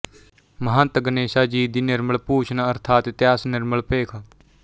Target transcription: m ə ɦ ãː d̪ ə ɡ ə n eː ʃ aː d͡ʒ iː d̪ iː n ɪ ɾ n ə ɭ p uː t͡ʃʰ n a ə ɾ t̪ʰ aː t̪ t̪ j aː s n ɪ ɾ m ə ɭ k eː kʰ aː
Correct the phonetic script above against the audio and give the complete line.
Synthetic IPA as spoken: m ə ɦ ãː t̪ ə ɡ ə n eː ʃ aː d͡ʒ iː d̪ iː n ɪ ɾ m ə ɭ p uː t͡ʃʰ n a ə ɾ t̪ʰ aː t̪ t̪ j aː s n ɪ ɾ m ə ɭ p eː kʰ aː